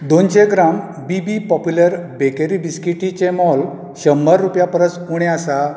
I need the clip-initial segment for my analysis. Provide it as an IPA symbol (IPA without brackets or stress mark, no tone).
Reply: d̪